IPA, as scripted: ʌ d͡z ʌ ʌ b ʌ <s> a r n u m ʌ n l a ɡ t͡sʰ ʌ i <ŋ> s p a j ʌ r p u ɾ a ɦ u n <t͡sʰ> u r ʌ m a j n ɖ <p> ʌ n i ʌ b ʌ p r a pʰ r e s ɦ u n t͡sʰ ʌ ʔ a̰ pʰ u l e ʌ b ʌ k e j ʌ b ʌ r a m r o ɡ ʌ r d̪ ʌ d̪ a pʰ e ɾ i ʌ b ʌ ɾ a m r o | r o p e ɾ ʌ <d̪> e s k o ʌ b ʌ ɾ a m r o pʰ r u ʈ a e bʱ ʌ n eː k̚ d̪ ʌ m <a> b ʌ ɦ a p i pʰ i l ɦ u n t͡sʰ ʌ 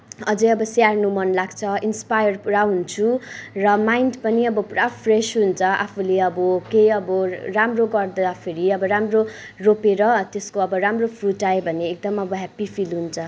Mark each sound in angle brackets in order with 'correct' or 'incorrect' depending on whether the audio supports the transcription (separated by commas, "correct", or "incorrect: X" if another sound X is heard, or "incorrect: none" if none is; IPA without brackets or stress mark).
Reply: correct, incorrect: n, correct, correct, incorrect: t̪, incorrect: ʌ